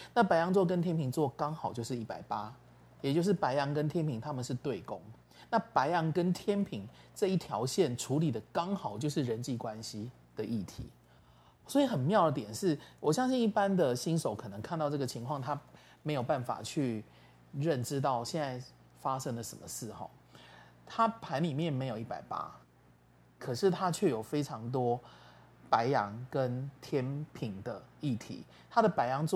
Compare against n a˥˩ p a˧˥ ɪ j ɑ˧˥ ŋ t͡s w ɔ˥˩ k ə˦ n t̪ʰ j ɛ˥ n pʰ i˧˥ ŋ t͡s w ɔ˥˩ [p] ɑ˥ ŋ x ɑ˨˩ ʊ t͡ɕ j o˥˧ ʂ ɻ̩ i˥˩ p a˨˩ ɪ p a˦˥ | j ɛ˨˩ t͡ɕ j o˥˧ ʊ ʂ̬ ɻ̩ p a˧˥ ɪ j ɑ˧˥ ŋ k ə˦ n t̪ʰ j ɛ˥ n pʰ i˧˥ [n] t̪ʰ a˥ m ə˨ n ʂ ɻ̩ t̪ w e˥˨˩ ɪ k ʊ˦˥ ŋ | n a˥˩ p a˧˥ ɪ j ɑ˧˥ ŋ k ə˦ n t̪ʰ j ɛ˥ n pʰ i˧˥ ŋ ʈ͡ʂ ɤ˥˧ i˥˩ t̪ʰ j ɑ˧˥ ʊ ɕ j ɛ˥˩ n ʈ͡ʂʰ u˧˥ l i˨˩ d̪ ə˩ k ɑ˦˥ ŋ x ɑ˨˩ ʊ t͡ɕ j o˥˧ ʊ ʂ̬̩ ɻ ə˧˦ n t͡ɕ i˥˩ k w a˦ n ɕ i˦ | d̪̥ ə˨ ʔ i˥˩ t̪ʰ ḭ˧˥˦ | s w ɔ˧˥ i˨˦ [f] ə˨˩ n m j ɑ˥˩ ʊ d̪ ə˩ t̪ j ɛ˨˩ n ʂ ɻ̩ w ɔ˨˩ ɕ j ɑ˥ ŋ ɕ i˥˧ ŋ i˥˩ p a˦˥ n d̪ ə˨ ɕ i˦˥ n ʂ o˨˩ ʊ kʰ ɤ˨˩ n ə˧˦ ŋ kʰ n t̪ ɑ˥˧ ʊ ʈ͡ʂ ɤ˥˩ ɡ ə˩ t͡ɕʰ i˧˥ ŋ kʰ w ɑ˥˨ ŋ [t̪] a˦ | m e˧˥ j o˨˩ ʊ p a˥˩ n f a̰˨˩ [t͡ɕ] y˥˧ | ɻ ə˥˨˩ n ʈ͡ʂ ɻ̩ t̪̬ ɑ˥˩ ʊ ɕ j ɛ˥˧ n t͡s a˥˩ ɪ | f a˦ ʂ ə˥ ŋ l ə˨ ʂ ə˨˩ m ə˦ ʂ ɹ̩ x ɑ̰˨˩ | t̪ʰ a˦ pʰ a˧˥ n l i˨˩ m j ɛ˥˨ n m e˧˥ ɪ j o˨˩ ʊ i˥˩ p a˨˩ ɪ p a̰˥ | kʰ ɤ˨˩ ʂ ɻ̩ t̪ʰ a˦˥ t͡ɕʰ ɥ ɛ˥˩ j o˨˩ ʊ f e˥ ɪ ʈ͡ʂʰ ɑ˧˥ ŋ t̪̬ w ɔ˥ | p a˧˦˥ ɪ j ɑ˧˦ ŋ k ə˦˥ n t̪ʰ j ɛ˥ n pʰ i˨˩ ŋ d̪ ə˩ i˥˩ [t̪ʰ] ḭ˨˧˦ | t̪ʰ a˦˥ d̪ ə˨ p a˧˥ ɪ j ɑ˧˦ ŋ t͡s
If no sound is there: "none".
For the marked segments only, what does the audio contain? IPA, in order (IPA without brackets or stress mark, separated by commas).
k, ŋ, x, t̪ʰ, t͡ɕʰ, t̪ʰ